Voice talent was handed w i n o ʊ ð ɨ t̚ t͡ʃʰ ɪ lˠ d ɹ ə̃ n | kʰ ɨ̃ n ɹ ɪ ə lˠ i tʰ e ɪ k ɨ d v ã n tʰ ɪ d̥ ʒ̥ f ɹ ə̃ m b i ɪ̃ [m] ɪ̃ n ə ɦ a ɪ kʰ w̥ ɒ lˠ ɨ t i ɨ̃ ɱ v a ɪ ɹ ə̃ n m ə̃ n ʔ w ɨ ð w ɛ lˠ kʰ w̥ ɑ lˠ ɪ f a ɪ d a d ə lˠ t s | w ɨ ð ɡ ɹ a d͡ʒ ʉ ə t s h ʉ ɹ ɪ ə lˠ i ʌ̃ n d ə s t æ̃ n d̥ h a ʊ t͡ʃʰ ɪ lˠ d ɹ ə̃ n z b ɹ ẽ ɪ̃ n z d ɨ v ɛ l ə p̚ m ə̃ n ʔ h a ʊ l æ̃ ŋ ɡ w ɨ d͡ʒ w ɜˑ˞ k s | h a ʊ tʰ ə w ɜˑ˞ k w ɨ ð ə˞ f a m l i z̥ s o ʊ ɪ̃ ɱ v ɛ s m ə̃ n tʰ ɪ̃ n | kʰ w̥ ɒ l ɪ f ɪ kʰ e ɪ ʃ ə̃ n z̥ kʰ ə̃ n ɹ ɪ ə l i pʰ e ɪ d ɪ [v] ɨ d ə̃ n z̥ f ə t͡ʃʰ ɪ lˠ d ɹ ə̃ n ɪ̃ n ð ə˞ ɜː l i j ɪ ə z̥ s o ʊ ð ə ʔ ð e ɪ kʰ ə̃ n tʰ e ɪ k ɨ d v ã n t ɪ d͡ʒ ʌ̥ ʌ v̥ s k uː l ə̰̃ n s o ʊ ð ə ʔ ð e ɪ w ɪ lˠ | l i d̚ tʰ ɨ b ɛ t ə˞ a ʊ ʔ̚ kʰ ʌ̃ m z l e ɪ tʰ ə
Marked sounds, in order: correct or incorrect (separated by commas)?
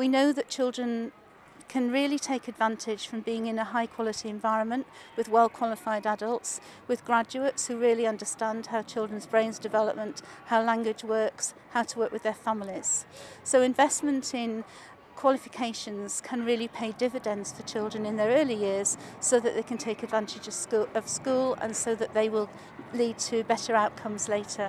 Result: incorrect, correct